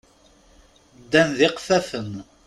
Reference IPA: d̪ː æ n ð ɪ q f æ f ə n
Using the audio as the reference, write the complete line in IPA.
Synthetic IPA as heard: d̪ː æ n ð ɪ q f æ f ə m